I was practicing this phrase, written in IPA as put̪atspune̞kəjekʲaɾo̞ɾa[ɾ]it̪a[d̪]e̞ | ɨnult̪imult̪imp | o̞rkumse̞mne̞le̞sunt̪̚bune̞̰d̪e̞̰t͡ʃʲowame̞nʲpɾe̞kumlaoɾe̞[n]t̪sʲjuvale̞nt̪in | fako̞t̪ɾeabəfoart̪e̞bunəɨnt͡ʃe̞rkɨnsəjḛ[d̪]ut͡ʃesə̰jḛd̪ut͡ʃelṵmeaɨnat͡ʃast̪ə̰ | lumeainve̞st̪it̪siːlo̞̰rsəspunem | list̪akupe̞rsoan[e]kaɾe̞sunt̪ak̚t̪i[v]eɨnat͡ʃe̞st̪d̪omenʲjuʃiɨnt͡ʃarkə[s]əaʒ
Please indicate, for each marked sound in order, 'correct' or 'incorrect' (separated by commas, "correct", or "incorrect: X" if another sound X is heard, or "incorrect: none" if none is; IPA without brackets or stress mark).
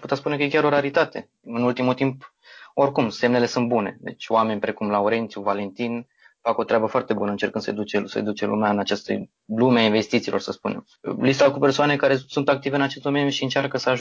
correct, incorrect: t̪, correct, correct, correct, correct, correct